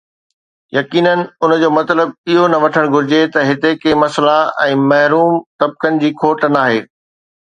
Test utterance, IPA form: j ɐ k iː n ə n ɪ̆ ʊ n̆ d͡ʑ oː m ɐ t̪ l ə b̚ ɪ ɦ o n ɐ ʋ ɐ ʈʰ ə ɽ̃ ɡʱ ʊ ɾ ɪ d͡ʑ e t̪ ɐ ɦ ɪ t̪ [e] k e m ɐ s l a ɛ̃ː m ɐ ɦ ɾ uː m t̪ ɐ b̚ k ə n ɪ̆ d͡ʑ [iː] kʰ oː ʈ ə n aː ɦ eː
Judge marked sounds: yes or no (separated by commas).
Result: yes, yes